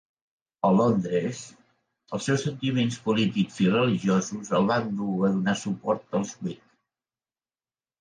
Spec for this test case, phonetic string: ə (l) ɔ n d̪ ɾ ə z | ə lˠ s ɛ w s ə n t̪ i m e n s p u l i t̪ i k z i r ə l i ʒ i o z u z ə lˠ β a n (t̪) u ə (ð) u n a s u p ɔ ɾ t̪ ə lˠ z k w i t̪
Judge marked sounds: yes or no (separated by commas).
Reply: yes, no, yes